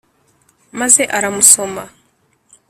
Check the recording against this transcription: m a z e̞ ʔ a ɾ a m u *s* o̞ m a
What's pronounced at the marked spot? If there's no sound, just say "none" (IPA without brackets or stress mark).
s